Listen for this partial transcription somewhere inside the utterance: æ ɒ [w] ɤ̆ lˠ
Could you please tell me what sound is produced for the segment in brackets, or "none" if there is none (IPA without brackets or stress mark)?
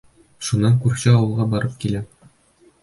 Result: w